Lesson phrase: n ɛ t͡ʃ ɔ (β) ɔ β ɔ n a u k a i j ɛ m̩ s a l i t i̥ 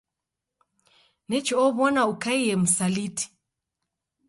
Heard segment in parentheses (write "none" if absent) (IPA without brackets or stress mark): none